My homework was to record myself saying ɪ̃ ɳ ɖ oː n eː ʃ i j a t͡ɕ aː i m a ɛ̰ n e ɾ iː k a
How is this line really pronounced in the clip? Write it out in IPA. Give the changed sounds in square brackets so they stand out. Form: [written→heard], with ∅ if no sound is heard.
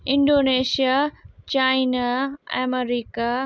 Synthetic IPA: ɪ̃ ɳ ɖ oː n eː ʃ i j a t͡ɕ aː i [m→n] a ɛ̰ [n→m] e ɾ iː k a